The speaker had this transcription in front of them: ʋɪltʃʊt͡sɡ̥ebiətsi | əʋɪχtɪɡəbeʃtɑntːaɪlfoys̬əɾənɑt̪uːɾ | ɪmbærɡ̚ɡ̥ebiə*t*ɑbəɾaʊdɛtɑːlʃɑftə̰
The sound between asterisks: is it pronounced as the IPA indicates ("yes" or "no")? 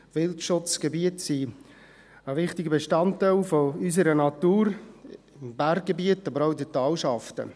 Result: yes